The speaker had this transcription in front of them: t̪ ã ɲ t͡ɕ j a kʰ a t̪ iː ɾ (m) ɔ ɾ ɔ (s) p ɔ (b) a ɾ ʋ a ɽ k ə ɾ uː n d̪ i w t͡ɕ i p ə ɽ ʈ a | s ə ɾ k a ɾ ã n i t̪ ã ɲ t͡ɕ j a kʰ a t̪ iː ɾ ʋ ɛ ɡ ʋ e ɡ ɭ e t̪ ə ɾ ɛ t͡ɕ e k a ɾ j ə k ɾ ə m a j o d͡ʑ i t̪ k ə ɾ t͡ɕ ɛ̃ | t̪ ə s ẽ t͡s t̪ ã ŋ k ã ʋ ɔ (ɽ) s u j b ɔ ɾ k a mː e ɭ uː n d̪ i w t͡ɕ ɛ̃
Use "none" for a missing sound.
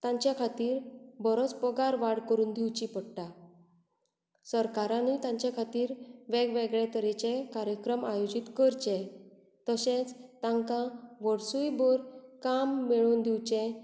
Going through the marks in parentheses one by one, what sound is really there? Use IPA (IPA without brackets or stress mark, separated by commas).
b, t͡s, ɡ, ɽ